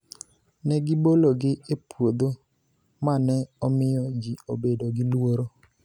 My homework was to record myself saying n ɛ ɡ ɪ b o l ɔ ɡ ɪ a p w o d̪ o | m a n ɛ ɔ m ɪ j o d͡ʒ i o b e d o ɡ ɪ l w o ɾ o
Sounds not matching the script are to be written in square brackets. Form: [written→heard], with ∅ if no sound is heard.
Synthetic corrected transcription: n ɛ ɡ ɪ b o l [ɔ→o] ɡ ɪ [a→e] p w o d̪ o | m a n ɛ ɔ m ɪ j [o→ɔ] d͡ʒ i o b e d o ɡ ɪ l w o ɾ o